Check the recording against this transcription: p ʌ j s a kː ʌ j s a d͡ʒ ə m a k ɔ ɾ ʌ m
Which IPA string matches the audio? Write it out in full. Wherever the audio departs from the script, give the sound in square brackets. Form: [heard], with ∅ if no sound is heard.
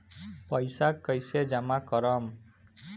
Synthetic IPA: p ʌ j s a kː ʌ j s [e] d͡ʒ [a] m a k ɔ ɾ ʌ m